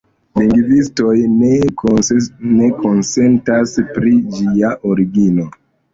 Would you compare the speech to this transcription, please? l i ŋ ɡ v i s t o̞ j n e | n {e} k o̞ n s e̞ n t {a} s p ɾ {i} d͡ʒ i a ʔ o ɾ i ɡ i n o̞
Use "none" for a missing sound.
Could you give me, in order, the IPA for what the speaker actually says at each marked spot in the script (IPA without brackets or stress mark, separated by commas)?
e, a, i